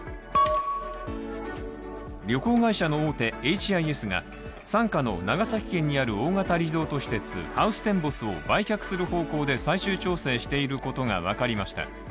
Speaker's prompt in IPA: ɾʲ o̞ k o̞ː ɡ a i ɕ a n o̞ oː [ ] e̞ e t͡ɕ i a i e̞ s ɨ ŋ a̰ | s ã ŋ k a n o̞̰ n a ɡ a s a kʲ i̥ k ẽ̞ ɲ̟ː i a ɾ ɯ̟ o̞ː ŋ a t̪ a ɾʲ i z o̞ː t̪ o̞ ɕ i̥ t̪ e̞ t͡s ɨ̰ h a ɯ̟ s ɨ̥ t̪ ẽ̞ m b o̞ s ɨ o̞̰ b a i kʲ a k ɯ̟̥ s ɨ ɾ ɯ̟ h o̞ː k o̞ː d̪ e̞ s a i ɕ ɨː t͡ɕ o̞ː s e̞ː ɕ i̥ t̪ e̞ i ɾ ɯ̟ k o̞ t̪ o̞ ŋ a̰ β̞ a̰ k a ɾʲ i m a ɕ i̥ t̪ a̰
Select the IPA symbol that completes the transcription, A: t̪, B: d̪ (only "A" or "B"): A